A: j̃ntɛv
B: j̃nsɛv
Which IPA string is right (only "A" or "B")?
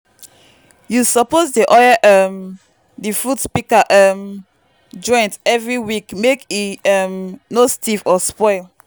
A